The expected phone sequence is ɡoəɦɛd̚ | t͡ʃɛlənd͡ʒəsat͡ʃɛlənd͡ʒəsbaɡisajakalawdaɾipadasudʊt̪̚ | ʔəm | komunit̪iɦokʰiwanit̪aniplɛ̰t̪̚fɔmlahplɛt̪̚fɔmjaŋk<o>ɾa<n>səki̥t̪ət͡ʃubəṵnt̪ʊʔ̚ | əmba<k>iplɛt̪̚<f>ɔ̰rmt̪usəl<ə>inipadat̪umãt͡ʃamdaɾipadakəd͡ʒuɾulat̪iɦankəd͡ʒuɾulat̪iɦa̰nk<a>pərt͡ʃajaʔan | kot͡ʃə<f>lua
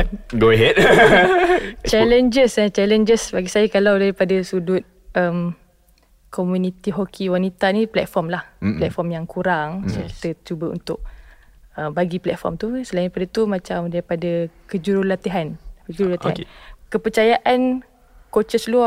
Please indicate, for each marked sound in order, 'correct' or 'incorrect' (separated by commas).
incorrect, incorrect, incorrect, correct, incorrect, incorrect, incorrect